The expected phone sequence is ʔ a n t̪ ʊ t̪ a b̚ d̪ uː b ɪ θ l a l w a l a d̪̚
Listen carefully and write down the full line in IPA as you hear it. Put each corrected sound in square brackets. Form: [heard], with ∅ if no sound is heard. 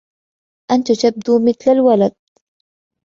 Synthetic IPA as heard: ʔ a n t̪ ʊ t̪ a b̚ d̪ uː [m] ɪ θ l a l w a l a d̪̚

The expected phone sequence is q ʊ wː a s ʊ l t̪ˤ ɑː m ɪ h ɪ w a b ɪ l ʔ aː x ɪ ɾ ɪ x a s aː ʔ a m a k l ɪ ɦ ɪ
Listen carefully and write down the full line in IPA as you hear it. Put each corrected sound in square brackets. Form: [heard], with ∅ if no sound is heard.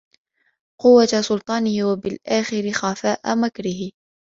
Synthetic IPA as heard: q ʊ wː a s ʊ l t̪ˤ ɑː [n] ɪ h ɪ w a b ɪ l ʔ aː x ɪ ɾ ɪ x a [f] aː ʔ a m a k [ɾ] ɪ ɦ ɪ

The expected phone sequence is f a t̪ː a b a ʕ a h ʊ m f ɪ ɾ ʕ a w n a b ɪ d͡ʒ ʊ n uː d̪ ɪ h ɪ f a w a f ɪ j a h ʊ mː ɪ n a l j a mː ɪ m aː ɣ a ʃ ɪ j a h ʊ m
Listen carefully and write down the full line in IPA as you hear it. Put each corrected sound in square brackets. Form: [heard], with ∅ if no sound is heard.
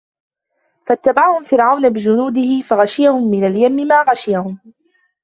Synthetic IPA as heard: f a t̪ː a b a ʕ a h ʊ m f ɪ ɾ ʕ a w n a b ɪ d͡ʒ ʊ n uː d̪ ɪ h ɪ f a [ɣ] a [ʃ] ɪ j a h ʊ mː ɪ n a l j a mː ɪ m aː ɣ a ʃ ɪ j a h ʊ m

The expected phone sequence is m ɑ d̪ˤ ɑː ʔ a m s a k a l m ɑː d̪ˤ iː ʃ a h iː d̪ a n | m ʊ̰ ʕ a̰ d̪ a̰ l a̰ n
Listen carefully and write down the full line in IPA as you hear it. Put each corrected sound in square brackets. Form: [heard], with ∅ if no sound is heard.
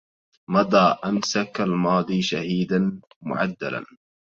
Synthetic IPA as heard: m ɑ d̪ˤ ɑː ʔ a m s a k a l m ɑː d̪ˤ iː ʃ a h iː d̪ a n | m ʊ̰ ʕ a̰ [d̪ː] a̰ l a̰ n

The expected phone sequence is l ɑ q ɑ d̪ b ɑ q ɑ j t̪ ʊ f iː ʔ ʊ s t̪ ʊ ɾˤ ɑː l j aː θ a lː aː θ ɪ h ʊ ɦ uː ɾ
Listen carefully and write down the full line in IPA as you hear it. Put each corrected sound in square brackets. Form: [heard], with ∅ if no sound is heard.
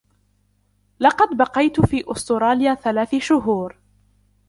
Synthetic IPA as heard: l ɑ q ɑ d̪ b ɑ q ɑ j t̪ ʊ f iː ʔ ʊ s t̪ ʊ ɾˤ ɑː l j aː θ a [l] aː θ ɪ [ʃ] ʊ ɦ uː ɾ

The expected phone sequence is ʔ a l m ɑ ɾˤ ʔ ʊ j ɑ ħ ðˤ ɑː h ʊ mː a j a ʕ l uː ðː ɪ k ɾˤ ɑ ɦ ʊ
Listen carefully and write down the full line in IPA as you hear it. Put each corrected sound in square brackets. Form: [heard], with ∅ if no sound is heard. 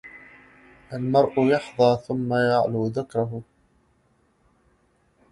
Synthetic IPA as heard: ʔ a l m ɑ ɾˤ ʔ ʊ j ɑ ħ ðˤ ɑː [θ] ʊ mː a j a ʕ l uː [ð] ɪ k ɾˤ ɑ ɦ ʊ

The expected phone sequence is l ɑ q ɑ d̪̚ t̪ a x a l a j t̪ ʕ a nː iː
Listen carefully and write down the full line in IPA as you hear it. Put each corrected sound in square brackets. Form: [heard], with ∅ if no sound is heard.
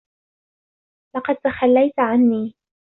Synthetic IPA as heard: l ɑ q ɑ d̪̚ t̪ a x a [lː] a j t̪ ʕ a nː iː

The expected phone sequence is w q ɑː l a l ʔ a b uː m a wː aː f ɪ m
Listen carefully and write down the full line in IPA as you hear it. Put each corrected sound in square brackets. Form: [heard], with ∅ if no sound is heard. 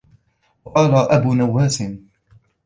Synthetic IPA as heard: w q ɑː l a [∅] ʔ a b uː [n] a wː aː [s] ɪ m

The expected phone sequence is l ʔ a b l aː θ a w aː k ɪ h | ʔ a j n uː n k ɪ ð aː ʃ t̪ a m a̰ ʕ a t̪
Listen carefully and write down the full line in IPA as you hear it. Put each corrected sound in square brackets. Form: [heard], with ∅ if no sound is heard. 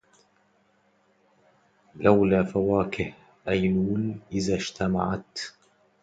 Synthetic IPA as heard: l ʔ a [w] l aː [f] a w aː k ɪ h | ʔ a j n uː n [ʔ] ɪ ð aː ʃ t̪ a m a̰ ʕ a t̪

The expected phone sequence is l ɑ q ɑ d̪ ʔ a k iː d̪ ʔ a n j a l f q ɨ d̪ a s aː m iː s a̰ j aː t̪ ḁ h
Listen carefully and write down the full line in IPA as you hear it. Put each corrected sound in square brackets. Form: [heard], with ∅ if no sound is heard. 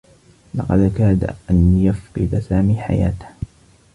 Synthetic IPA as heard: l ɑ q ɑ d̪ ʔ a k [aː] d̪ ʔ a n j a [∅] f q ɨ d̪ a s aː m iː [ħ] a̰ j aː t̪ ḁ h

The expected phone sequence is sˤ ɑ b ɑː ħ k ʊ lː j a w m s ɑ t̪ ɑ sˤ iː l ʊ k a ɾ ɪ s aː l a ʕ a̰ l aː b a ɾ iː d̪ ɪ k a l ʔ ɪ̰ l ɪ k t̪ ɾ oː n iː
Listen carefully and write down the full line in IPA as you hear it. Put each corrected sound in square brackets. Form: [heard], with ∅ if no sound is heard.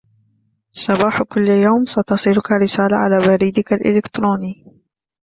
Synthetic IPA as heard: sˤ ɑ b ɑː ħ k ʊ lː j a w m s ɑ t̪ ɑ sˤ iː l ʊ k a ɾ ɪ s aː l a ʕ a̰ l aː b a ɾ iː d̪ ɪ k a l ʔ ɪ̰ l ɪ k t̪ ɾ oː n iː

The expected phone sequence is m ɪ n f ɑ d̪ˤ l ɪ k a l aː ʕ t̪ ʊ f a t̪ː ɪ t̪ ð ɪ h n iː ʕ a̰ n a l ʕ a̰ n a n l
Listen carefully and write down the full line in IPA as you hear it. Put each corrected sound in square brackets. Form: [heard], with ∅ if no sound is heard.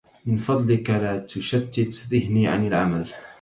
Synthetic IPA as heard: m ɪ n f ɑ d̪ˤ l ɪ k a l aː [∅] t̪ ʊ [ʃ] a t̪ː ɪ t̪ ð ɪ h n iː ʕ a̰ n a l ʕ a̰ [m] a [∅] l

